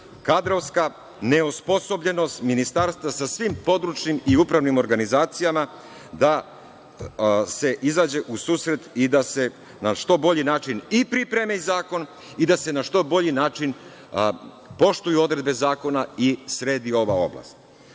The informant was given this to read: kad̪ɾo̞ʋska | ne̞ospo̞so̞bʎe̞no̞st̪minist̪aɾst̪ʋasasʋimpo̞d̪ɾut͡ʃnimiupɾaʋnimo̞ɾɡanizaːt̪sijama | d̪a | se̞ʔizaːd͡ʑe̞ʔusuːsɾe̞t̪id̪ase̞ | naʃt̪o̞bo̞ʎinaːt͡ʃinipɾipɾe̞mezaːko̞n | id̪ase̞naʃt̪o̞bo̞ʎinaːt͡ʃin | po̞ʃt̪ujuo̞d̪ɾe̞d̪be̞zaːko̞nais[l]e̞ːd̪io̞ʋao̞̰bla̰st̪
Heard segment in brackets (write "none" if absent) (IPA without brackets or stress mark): ɾ